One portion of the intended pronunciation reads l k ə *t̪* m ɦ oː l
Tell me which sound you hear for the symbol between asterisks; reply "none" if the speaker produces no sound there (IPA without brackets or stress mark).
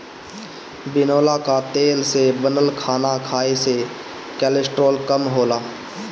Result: none